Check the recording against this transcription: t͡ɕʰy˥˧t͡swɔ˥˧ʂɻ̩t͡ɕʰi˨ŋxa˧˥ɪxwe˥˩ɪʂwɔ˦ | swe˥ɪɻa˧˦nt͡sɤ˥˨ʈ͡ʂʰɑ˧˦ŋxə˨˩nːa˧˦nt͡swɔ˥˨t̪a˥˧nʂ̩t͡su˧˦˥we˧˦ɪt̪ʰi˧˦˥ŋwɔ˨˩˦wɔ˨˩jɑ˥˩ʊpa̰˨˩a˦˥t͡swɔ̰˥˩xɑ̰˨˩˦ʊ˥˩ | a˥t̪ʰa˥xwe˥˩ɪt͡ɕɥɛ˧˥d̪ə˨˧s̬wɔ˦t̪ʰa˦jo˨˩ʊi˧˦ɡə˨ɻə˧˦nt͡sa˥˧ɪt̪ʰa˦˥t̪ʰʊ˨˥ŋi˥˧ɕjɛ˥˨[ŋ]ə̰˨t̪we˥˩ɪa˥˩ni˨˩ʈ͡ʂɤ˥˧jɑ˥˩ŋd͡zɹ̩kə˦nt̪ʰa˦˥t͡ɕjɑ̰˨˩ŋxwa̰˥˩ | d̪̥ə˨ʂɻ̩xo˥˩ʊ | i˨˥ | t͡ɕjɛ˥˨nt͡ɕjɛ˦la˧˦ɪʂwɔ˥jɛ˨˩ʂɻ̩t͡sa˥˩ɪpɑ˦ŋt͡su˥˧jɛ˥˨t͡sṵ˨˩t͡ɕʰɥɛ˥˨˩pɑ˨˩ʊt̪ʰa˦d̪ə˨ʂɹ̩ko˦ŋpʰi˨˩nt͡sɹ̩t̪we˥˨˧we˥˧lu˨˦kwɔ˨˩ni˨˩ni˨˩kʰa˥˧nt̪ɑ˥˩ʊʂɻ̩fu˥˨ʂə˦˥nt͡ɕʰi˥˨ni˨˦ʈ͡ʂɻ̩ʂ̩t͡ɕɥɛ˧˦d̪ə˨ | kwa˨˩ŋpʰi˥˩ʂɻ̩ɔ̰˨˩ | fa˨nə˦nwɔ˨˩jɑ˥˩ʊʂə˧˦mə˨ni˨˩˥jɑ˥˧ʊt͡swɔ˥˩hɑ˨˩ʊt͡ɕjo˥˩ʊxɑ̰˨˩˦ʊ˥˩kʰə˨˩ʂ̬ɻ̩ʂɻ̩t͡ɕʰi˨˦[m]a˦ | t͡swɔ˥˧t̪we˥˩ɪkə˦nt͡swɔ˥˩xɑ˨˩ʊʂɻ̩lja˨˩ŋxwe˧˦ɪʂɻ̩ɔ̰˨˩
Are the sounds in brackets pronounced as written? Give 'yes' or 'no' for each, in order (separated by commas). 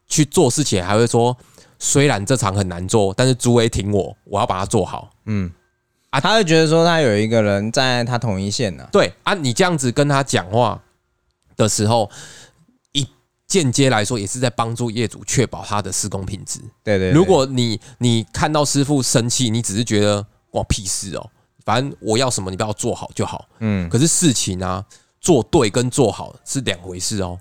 no, no